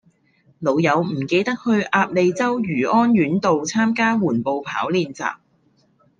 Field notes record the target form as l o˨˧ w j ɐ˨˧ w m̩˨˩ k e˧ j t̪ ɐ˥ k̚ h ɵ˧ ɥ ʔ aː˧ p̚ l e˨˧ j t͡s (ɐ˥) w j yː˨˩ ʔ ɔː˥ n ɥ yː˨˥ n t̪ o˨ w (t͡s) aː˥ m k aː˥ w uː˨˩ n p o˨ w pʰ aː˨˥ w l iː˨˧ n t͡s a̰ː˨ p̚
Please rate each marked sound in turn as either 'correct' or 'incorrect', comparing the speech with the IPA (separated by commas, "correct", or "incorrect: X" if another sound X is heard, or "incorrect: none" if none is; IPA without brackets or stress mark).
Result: correct, incorrect: t͡sʰ